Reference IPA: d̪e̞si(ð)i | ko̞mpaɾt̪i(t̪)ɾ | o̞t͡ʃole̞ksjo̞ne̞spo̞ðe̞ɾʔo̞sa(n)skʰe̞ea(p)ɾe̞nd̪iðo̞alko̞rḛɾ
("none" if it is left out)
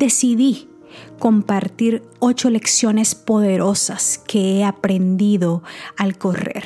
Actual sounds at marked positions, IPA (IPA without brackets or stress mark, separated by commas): ð, none, none, p